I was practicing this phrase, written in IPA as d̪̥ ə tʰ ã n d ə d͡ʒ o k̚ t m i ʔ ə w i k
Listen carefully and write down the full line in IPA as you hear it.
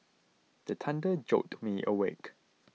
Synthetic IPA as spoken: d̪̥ ə tʰ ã n d ə d͡ʒ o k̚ t m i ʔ ə w e k